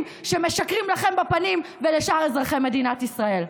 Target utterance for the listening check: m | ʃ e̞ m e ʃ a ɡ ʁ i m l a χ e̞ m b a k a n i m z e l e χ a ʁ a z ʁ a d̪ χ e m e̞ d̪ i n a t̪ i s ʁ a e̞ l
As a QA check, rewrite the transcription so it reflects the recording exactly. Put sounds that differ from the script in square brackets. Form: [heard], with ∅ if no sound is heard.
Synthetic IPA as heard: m | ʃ e̞ m e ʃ a [k] ʁ i m l a χ e̞ m b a [p] a n i m [v] e l e [ʃ] a ʁ [e] z ʁ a [∅] χ e m e̞ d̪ i n a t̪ i s ʁ a e̞ l